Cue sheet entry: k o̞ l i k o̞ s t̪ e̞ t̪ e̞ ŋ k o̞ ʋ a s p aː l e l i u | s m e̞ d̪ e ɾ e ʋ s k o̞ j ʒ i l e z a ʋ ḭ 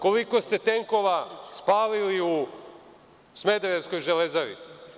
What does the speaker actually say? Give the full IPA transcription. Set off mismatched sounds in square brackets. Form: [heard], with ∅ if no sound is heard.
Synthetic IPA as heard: k o̞ l i k o̞ s t̪ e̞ t̪ e̞ ŋ k o̞ ʋ a s p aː l [i] l i u | s m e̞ d̪ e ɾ e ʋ s k o̞ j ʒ [e] l e z a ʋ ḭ